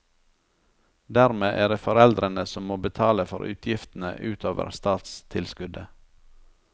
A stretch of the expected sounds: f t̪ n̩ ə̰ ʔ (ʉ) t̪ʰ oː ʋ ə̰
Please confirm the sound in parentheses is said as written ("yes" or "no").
no